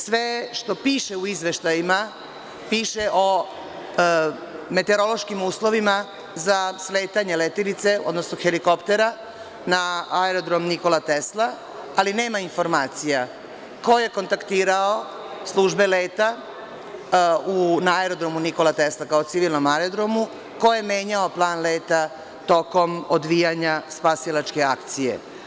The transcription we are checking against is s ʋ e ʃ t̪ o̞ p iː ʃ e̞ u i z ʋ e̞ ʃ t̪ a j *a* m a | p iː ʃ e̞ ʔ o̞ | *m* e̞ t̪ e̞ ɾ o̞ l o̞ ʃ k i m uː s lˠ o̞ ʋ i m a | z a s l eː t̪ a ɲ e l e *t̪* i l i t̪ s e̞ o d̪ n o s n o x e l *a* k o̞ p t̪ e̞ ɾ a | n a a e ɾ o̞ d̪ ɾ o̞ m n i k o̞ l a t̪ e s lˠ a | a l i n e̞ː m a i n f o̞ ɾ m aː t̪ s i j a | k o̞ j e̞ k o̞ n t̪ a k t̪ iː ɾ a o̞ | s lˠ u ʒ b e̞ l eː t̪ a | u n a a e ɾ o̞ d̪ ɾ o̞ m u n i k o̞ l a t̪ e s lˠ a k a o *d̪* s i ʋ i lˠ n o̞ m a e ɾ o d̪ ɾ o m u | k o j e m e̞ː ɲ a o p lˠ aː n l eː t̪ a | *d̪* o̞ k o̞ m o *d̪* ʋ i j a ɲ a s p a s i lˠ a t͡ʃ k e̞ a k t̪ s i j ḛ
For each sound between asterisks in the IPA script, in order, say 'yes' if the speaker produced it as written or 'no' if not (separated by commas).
no, yes, yes, no, no, no, yes